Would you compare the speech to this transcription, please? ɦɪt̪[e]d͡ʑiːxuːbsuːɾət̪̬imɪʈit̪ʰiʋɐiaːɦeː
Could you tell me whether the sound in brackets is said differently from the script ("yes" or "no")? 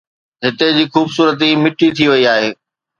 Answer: no